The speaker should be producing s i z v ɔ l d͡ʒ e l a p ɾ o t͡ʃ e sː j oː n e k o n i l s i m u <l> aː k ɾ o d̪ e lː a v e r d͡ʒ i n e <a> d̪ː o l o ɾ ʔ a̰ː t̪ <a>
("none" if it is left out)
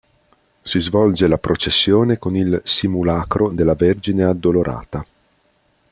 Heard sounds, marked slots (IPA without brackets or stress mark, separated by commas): l, a, a